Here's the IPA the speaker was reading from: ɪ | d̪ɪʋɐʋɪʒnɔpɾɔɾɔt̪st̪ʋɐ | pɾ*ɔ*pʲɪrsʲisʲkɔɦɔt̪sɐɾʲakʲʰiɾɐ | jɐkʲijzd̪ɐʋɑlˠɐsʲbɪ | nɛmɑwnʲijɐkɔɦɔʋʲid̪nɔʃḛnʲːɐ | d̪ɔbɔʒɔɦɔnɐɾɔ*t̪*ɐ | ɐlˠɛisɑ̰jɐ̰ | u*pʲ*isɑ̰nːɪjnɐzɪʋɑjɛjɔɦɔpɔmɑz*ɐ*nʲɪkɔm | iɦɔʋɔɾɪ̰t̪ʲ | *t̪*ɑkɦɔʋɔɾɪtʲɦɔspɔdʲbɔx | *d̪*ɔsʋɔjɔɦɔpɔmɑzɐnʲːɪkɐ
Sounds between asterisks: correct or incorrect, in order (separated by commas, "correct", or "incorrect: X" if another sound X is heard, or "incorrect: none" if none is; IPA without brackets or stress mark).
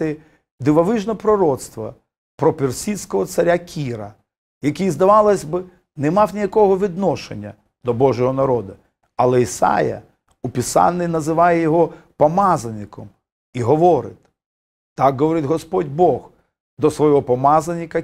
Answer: correct, incorrect: d̪, correct, correct, correct, correct